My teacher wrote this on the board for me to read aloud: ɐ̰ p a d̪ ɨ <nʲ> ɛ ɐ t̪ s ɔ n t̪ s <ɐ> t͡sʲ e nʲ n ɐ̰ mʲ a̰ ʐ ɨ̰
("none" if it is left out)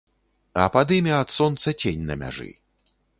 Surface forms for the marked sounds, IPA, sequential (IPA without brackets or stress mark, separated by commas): mʲ, ɐ